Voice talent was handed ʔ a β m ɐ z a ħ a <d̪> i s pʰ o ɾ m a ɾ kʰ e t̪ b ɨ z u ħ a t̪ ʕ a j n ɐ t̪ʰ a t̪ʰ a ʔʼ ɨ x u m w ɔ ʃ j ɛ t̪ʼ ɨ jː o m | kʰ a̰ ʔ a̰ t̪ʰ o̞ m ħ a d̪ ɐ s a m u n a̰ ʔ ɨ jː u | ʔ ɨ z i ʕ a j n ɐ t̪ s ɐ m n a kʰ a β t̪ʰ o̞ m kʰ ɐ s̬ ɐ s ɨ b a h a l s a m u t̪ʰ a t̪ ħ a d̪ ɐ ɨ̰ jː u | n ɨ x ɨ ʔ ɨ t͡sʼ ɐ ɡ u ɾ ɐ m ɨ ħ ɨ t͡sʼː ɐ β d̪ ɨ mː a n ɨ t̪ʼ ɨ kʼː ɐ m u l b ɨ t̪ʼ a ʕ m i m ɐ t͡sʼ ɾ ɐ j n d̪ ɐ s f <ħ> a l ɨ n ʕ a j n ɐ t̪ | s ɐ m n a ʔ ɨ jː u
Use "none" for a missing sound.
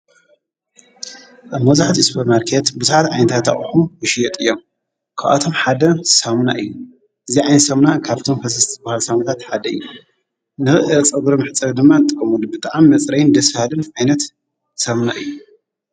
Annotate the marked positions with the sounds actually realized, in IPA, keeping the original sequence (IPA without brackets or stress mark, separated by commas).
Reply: t̪, h